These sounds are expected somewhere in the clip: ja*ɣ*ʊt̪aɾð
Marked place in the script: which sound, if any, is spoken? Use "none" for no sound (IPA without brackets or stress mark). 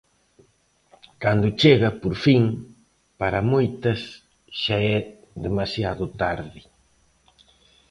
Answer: ð